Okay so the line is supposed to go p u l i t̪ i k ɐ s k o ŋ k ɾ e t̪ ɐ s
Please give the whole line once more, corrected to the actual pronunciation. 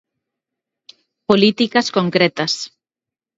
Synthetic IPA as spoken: p o l i t̪ i k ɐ s k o ŋ k ɾ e t̪ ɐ s